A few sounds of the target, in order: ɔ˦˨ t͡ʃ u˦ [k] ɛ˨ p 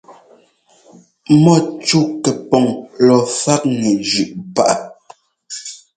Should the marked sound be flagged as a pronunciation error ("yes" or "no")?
no